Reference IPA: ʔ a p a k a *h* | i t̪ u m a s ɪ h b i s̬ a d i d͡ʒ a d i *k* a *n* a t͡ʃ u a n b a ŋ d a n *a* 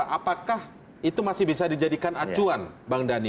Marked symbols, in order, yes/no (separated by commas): yes, yes, yes, no